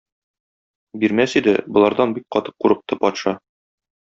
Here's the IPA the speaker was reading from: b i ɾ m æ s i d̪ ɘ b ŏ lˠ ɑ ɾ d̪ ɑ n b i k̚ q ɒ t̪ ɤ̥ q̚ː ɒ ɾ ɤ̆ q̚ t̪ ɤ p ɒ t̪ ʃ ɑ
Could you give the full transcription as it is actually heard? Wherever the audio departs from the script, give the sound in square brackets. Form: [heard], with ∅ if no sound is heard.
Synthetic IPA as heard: b i ɾ m æ s i d̪ ɘ b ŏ lˠ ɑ ɾ d̪ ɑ n b i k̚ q ɒ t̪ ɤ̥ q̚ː [u] ɾ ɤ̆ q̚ t̪ ɤ p ɒ t̪ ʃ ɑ